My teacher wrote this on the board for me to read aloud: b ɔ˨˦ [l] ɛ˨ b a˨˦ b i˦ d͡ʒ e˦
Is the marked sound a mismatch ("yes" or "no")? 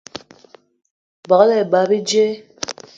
no